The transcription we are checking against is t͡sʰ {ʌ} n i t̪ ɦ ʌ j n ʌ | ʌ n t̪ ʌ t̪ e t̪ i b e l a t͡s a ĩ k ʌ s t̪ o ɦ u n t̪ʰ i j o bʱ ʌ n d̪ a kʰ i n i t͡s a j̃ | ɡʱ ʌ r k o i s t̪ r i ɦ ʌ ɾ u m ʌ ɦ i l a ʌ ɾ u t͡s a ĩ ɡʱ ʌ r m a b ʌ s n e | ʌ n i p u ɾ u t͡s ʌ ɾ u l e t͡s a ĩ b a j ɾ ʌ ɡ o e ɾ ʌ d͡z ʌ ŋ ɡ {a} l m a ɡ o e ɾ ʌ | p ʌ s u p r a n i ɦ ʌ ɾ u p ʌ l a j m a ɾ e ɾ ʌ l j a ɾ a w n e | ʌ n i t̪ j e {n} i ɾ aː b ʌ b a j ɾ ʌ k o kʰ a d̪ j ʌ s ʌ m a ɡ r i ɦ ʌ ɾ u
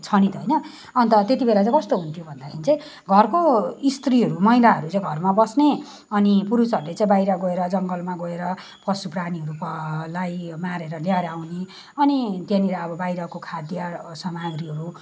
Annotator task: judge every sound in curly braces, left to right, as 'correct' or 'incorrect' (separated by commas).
correct, incorrect, correct